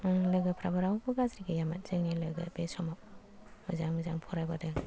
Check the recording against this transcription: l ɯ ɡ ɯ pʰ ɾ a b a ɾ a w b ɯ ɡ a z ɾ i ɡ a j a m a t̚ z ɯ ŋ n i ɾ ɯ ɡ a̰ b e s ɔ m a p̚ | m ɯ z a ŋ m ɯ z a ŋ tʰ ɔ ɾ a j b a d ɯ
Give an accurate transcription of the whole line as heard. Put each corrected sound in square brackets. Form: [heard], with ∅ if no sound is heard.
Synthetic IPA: l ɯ ɡ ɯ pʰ ɾ a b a ɾ a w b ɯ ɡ a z ɾ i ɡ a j a m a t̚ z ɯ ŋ n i [l] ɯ ɡ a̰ b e s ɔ m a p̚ | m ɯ z a ŋ m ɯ z a ŋ [pʰ] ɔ ɾ a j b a d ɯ